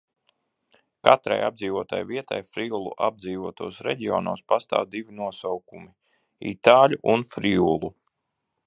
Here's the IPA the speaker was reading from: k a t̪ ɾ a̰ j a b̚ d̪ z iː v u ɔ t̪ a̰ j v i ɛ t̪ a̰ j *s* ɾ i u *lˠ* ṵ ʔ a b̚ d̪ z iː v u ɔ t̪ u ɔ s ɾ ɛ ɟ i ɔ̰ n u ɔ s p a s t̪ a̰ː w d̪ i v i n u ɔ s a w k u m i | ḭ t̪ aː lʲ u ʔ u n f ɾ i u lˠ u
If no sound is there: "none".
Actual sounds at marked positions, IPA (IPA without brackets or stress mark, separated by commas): f, lˠ